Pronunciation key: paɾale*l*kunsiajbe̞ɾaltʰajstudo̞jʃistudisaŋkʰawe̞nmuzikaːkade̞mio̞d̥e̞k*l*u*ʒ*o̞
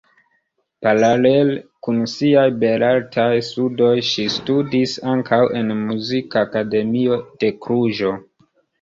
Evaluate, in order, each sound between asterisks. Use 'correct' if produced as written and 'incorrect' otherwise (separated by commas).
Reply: correct, incorrect, correct